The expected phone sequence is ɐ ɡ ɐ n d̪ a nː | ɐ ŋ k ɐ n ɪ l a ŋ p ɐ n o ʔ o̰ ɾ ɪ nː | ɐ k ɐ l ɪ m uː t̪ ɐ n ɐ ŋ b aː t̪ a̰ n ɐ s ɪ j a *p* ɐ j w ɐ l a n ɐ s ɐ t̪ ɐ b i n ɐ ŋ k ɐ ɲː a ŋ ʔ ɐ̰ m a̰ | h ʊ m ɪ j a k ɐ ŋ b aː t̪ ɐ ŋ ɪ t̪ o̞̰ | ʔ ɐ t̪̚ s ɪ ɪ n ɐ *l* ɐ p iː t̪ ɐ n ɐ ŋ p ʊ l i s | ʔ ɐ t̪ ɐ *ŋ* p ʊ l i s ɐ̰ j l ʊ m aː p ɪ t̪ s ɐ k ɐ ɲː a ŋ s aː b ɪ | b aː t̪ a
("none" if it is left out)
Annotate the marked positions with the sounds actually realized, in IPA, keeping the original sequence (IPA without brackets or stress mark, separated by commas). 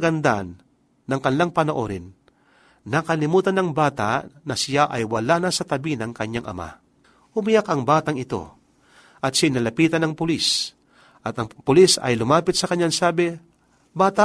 ʔ, l, ŋ